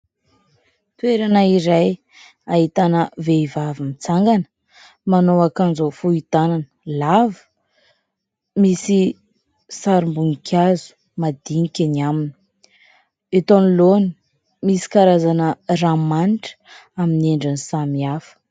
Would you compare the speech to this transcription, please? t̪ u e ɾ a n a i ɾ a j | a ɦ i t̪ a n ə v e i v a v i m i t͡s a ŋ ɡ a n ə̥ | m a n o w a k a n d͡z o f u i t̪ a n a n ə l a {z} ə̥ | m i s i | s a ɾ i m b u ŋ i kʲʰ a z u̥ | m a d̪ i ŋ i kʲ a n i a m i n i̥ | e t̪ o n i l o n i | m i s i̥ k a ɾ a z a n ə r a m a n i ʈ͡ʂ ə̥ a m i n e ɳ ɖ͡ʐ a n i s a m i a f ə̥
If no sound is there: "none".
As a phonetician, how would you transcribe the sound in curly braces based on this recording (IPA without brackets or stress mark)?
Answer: v